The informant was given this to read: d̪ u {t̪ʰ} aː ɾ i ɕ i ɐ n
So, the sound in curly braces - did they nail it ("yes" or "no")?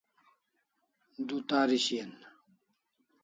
no